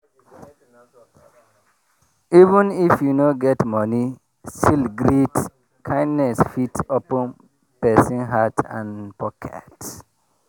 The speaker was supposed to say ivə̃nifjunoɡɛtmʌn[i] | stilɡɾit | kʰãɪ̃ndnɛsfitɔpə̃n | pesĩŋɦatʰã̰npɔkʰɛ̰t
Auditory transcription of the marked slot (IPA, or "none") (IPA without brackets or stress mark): i